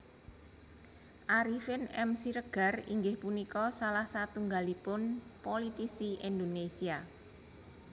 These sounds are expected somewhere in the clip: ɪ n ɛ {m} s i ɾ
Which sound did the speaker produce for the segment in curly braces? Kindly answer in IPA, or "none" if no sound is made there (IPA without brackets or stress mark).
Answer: m